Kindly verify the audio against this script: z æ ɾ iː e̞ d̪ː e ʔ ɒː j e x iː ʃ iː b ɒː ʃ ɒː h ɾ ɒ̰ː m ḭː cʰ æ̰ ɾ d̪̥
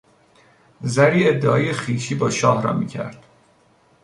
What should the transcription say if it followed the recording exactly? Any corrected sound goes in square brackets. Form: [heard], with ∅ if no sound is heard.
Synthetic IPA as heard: z æ ɾ iː e̞ d̪ː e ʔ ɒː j e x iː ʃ iː b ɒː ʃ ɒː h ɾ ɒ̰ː m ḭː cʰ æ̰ ɾ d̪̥